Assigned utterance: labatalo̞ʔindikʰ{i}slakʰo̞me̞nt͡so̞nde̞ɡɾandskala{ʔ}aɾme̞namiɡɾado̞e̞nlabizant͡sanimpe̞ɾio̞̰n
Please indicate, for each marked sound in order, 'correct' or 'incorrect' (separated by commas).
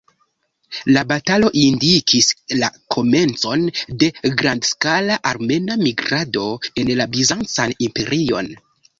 correct, correct